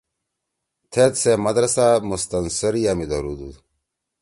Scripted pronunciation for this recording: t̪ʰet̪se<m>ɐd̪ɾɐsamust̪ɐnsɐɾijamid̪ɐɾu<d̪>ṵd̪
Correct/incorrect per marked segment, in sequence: correct, correct

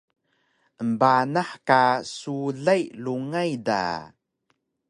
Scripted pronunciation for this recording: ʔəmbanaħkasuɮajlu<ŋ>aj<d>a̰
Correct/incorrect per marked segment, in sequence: correct, correct

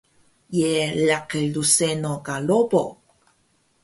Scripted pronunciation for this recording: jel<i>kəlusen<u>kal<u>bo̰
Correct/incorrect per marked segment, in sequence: incorrect: a, incorrect: o, incorrect: o

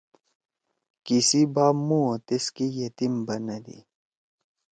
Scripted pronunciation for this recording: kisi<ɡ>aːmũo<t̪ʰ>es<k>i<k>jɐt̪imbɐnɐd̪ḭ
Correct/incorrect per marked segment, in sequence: incorrect: b, incorrect: t̪, correct, incorrect: none

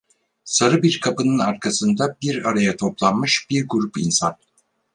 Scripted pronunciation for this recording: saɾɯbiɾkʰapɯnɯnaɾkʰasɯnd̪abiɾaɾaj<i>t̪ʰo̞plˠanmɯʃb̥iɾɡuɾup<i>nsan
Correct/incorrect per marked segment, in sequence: incorrect: a, correct

